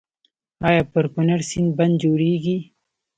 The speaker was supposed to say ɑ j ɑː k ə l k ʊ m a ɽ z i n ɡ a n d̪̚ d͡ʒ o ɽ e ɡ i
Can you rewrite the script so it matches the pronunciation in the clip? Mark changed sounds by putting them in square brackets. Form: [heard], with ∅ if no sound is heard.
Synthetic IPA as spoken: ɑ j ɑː [p] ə [ɾ] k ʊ [n] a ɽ [s] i n [b] a n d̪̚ d͡ʒ o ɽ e ɡ i